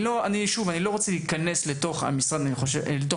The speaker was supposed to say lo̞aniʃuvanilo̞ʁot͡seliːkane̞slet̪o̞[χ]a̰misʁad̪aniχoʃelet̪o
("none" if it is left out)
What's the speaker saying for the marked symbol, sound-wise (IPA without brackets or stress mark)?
χ